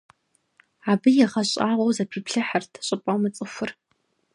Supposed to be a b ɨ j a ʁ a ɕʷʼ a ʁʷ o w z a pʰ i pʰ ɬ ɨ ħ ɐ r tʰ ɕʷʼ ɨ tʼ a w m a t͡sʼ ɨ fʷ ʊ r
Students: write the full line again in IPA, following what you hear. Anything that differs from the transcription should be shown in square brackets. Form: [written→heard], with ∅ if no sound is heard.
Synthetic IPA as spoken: a b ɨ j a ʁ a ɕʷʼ a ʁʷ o w z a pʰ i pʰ ɬ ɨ ħ [ɐ→a] r tʰ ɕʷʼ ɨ [tʼ→pʼ] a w m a t͡sʼ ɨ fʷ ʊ r